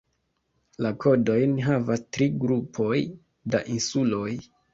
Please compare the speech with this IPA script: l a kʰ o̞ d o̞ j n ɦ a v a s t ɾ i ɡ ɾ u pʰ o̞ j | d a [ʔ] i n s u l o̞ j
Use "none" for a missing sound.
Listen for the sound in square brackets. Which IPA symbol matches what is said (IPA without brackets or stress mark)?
ʔ